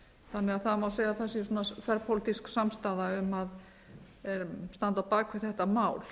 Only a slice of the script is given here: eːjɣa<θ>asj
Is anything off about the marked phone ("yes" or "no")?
no